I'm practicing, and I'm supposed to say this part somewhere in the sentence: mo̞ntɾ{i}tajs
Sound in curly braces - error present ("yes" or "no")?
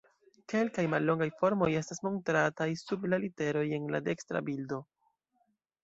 yes